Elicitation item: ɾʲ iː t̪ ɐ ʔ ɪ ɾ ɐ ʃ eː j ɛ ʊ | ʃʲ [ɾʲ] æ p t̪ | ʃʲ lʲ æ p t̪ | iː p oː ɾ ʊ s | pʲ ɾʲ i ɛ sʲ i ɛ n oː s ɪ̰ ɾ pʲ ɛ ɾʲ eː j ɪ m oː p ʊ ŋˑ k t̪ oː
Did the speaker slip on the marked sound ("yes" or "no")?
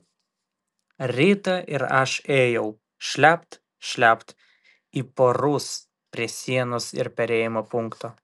yes